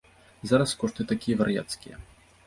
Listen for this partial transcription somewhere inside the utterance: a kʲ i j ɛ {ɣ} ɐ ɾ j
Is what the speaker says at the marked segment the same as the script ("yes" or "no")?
no